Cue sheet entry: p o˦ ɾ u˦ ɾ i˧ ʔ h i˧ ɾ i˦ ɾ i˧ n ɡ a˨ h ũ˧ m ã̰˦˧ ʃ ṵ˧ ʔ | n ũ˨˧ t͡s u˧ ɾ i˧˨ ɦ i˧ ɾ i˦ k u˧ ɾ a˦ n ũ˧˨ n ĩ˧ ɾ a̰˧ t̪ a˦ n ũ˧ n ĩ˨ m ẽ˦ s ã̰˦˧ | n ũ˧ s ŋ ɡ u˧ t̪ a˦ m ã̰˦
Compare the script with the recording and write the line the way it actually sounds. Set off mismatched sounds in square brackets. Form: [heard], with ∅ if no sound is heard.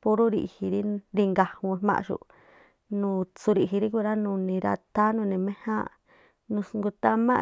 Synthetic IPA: p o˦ ɾ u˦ ɾ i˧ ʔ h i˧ ɾ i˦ ɾ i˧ [ŋ] ɡ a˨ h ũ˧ m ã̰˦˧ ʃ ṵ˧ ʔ | n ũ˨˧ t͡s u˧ ɾ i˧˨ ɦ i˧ ɾ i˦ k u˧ ɾ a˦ n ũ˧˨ n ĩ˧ ɾ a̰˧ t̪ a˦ n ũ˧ n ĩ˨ m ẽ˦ [h] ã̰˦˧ | n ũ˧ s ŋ ɡ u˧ t̪ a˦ m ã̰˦